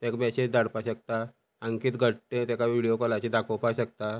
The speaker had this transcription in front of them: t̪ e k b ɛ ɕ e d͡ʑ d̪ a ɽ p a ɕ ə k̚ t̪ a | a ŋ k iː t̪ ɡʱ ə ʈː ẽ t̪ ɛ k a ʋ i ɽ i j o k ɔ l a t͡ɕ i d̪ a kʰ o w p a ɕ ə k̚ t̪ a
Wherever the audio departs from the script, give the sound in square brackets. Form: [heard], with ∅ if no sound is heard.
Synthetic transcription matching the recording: t̪ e k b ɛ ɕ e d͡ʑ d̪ a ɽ p a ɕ ə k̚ t̪ a | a ŋ k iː t̪ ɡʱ ə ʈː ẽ t̪ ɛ k a ʋ i ɽ i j o k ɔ l a t͡ɕ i d̪ a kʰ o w p a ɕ ə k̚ t̪ a